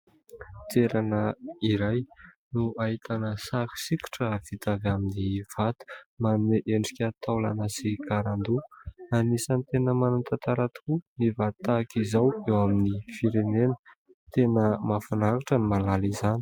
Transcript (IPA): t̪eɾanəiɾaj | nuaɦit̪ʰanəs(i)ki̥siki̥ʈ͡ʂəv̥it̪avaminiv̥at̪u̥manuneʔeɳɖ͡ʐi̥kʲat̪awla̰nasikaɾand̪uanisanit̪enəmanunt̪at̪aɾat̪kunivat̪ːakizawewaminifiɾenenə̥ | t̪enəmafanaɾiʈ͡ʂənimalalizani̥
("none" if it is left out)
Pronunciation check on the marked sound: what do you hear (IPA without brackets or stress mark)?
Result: a